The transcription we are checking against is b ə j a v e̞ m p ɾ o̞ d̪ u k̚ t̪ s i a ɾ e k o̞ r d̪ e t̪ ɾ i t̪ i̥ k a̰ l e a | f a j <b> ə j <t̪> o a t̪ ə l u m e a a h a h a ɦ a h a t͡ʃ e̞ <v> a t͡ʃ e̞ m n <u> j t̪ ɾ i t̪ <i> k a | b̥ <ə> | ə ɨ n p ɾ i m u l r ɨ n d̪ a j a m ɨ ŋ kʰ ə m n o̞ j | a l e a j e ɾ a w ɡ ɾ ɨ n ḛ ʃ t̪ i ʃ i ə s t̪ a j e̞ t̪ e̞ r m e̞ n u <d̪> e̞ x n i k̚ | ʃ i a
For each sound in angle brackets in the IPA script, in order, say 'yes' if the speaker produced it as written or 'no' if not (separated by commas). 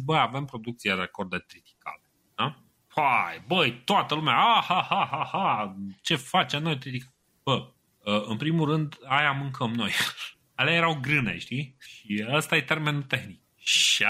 yes, yes, no, no, yes, yes, no